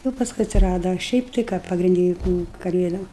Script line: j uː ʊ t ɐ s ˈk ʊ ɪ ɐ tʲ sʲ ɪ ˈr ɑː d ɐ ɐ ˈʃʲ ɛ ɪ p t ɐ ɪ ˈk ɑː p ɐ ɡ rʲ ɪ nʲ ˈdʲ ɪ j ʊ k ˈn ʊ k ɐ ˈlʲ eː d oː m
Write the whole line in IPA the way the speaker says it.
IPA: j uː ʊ p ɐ s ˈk ʊ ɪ ɐ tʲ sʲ ɪ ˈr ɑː d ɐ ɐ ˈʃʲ ɛ ɪ p t ɐ ɪ ˈk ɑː p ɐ ɡ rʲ ɪ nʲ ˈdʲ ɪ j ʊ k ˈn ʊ k ɐ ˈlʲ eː d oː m

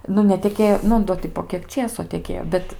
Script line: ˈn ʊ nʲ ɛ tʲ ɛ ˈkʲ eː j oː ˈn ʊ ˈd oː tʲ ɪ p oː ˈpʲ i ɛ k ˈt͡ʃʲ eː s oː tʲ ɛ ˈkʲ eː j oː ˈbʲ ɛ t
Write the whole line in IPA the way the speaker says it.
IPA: ˈn ʊ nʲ ɛ tʲ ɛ ˈkʲ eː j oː ˈn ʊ ˈd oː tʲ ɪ p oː ˈkʲ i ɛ k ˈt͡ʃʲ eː s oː tʲ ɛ ˈkʲ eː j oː ˈbʲ ɛ t

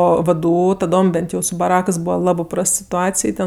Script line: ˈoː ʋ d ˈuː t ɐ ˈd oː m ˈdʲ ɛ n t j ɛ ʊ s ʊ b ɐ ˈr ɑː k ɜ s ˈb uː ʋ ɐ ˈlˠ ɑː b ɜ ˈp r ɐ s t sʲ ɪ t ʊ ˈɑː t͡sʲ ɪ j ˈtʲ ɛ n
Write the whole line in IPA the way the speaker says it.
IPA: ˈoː ʋ d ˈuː t ɐ ˈd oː m ˈbʲ ɛ n t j ɛ ʊ s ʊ b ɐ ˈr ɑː k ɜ s ˈb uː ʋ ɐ ˈlˠ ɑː b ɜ ˈp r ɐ s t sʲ ɪ t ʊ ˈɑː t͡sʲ ɪ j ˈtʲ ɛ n

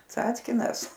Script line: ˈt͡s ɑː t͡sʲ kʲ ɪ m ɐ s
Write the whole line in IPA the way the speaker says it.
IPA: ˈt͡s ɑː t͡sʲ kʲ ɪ n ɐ s

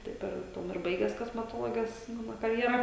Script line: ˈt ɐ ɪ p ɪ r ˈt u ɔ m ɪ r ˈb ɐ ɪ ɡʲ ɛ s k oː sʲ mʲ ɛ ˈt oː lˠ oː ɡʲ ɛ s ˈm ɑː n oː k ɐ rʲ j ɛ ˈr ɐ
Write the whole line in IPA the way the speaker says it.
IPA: ˈt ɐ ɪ p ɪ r ˈt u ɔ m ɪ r ˈb ɐ ɪ ɡʲ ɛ s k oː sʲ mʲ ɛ ˈt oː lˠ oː ɡʲ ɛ s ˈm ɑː n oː k ɐ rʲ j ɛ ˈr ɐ

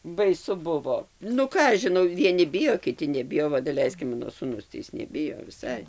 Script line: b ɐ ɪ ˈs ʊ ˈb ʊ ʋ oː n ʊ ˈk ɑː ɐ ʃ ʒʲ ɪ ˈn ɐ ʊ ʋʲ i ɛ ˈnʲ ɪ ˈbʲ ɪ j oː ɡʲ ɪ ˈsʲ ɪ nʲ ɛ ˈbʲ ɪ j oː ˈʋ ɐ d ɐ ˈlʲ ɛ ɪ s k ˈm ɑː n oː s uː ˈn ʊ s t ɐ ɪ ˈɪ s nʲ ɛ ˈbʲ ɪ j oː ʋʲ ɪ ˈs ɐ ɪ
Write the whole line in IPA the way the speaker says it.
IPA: b ɐ ɪ ˈs ʊ ˈb ʊ ʋ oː n ʊ ˈk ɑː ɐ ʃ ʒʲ ɪ ˈn ɐ ʊ ʋʲ i ɛ ˈnʲ ɪ ˈbʲ ɪ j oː kʲ ɪ ˈtʲ ɪ nʲ ɛ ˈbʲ ɪ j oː ˈʋ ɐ d ɐ ˈlʲ ɛ ɪ s k ˈm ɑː n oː s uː ˈn ʊ s t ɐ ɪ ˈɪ s nʲ ɛ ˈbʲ ɪ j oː ʋʲ ɪ ˈs ɐ ɪ

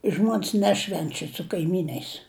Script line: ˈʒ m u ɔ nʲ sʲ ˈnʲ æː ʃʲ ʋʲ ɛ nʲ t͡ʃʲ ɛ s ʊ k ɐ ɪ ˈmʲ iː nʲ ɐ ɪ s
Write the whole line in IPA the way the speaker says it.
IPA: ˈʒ m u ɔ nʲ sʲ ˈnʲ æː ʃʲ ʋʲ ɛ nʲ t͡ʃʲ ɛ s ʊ k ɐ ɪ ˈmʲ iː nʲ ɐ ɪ s

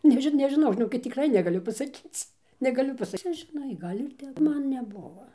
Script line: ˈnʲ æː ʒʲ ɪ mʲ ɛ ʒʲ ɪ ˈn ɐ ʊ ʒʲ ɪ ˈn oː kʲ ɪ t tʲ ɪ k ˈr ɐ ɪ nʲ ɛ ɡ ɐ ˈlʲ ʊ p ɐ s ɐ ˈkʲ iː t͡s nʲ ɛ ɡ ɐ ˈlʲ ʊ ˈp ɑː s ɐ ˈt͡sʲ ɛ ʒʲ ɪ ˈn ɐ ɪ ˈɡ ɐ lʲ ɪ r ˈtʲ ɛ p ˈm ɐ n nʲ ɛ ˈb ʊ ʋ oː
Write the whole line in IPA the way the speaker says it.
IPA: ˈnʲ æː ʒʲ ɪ nʲ ɛ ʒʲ ɪ ˈn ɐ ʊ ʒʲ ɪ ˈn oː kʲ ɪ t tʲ ɪ k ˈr ɐ ɪ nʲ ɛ ɡ ɐ ˈlʲ ʊ p ɐ s ɐ ˈkʲ iː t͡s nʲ ɛ ɡ ɐ ˈlʲ ʊ ˈp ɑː s ɐ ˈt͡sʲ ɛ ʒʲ ɪ ˈn ɐ ɪ ˈɡ ɐ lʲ ɪ r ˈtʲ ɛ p ˈm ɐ n nʲ ɛ ˈb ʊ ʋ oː

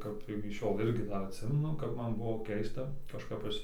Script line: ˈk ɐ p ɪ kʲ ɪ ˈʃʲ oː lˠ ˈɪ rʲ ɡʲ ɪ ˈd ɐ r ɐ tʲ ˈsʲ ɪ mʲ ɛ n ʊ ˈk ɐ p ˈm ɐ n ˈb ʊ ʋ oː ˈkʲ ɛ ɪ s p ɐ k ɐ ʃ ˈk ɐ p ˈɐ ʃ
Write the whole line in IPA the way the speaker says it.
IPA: ˈk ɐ p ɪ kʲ ɪ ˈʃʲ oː lˠ ˈɪ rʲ ɡʲ ɪ ˈd ɐ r ɐ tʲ ˈsʲ ɪ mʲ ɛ n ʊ ˈk ɐ p ˈm ɐ n ˈb ʊ ʋ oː ˈkʲ ɛ ɪ s t ɐ k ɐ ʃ ˈk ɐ p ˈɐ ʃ

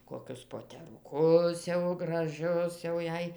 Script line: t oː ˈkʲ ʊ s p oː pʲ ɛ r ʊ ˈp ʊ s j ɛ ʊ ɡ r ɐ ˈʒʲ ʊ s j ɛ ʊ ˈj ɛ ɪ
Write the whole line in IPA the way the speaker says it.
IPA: k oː ˈkʲ ʊ s p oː tʲ ɛ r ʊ ˈk ʊ s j ɛ ʊ ɡ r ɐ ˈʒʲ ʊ s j ɛ ʊ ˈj ɛ ɪ

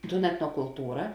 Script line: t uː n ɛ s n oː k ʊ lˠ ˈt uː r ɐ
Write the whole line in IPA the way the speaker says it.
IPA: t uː n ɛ t n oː k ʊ lˠ ˈt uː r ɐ

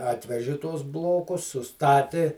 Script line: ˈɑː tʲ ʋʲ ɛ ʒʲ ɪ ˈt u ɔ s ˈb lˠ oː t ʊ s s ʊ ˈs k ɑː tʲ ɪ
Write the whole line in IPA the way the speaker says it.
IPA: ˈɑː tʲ ʋʲ ɛ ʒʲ ɪ ˈt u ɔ s ˈb lˠ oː k ʊ s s ʊ ˈs t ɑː tʲ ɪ

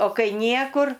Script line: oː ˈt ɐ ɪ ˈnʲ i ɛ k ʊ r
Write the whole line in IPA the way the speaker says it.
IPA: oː ˈk ɐ ɪ ˈnʲ i ɛ k ʊ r

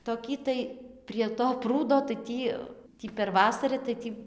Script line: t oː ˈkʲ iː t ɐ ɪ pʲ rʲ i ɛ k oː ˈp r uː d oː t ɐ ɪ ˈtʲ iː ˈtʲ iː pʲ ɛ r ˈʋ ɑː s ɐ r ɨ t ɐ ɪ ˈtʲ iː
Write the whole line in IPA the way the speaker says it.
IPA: t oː ˈkʲ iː t ɐ ɪ pʲ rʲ i ɛ t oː ˈp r uː d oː t ɐ ɪ ˈtʲ iː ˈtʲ iː pʲ ɛ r ˈʋ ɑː s ɐ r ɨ t ɐ ɪ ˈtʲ iː

